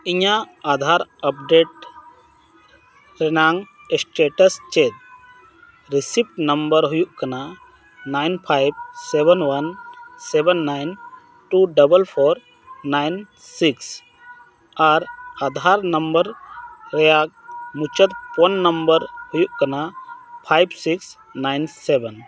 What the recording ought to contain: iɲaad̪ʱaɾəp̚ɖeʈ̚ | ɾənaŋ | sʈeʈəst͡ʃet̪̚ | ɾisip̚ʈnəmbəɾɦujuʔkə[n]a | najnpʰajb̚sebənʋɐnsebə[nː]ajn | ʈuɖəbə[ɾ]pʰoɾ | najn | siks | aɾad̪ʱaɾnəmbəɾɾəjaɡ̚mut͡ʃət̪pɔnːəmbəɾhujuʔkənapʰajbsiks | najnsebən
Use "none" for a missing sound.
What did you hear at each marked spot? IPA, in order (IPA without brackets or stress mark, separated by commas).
n, nː, l